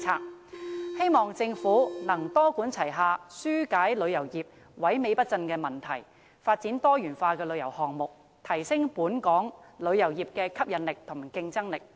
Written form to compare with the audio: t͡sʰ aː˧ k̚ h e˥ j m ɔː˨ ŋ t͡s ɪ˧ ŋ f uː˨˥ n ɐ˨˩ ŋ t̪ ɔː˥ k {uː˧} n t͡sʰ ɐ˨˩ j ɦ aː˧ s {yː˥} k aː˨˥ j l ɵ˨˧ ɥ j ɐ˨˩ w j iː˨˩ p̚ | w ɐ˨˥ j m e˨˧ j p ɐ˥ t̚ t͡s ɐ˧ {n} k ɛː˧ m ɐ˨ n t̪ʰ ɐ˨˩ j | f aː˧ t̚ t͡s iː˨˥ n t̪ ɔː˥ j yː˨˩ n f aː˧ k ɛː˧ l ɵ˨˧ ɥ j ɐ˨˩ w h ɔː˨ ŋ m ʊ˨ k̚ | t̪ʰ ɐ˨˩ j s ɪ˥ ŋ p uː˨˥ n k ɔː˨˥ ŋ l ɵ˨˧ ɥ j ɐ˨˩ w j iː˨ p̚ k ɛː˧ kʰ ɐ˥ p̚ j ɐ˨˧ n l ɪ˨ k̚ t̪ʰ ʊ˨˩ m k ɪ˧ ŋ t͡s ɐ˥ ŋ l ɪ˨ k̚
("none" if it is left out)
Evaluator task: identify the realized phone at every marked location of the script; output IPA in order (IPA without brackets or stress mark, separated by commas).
uː˨˥, yː˥, n